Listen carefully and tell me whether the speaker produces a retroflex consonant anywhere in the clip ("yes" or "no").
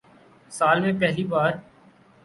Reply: no